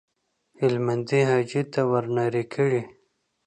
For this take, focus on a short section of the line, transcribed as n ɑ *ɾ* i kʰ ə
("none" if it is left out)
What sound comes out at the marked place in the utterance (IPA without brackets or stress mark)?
ɾ